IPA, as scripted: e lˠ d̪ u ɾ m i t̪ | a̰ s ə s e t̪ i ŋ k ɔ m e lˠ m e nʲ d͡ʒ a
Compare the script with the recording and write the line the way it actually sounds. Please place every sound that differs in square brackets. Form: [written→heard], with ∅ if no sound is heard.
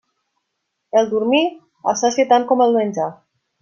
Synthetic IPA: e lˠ d̪ u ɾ m i [t̪→∅] | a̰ s [ə→a] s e t̪ [i→a] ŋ k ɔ m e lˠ m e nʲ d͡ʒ a